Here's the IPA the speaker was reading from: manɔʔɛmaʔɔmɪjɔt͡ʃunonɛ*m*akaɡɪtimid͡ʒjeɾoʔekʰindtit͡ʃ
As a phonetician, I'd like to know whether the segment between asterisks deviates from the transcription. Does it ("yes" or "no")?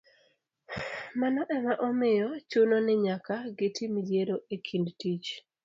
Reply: yes